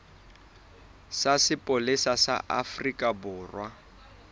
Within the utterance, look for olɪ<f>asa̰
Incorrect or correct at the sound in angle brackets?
incorrect: s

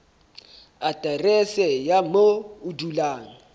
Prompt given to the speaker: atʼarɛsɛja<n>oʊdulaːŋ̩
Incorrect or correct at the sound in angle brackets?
incorrect: m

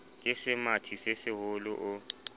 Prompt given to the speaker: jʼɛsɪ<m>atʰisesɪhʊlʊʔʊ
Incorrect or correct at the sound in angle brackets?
correct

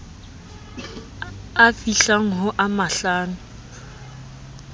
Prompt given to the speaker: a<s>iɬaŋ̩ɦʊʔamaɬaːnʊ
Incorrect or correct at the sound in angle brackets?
incorrect: f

